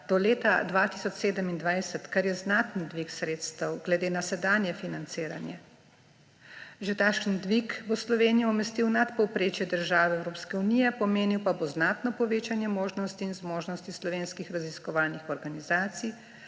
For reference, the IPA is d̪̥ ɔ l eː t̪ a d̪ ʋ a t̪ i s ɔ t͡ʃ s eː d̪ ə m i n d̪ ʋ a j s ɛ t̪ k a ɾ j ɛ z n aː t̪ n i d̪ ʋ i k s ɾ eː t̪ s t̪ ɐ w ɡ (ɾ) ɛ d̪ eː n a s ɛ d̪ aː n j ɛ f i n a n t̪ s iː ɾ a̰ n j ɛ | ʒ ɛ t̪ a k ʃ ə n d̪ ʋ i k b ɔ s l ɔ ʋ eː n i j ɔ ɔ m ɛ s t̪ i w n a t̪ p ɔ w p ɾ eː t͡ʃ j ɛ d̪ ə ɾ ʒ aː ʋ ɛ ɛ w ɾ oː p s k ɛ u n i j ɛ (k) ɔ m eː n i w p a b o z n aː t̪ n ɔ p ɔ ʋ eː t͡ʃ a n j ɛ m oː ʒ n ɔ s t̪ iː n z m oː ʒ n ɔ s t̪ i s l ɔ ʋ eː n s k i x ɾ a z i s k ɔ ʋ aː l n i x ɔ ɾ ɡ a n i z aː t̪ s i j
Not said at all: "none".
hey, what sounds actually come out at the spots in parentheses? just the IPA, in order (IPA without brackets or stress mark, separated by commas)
l, p